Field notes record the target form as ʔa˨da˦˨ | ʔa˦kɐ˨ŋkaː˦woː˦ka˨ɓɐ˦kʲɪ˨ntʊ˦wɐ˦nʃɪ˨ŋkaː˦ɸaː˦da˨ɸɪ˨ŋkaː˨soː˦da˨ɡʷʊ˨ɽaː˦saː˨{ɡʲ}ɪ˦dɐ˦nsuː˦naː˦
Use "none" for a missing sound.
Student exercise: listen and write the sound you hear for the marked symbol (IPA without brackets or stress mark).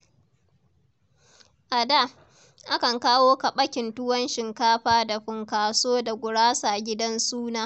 ɡʲ